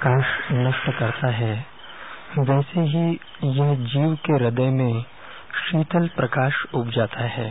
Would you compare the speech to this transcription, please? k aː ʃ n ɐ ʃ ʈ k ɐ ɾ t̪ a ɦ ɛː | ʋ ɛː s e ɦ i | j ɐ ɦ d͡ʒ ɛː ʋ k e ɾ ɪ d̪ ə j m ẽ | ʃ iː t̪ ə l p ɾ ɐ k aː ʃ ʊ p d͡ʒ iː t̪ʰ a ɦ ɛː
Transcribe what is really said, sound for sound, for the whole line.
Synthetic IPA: k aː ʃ n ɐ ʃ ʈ k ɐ ɾ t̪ a ɦ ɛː | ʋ ɛː s e ɦ i | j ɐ ɦ d͡ʒ iː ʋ k e ɾ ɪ d̪ ə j m ẽ | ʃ iː t̪ ə l p ɾ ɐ k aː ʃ ʊ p d͡ʒ aː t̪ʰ a ɦ ɛː